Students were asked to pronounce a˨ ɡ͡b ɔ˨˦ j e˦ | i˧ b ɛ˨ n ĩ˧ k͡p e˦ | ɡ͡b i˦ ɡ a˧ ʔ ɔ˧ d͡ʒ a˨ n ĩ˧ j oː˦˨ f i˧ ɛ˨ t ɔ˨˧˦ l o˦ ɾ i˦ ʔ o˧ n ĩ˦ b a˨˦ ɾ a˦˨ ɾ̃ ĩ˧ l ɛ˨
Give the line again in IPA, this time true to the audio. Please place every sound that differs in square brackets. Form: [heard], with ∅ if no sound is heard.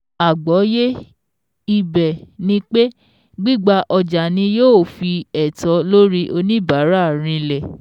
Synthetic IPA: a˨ ɡ͡b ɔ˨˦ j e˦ | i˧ b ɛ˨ n ĩ˧ k͡p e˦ | ɡ͡b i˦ [ɡ͡b] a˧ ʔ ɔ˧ d͡ʒ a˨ n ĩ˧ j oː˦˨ f i˧ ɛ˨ t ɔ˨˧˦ l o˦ ɾ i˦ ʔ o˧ n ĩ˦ b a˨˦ ɾ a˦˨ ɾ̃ ĩ˧ l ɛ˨